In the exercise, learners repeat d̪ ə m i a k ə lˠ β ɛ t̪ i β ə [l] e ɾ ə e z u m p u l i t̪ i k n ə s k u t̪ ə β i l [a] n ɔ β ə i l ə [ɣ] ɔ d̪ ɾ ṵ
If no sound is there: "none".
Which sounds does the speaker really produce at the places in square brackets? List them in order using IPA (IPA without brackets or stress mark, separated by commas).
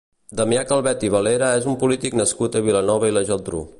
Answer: l, ə, ʒ